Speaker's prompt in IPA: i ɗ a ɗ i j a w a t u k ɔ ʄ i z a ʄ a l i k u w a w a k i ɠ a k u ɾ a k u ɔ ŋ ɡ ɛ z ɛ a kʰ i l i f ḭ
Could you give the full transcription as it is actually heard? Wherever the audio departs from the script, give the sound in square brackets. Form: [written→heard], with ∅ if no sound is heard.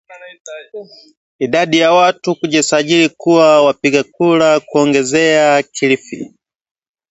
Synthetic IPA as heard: i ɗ a ɗ i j a w a t u k [ɔ→u] ʄ i [z→s] a ʄ [a→i] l i k u w a w a [k→p] i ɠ a k u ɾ a k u ɔ ŋ ɡ ɛ z ɛ a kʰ i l i f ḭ